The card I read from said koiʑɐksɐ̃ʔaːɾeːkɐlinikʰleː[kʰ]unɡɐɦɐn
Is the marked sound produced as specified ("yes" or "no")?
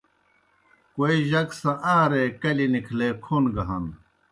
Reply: yes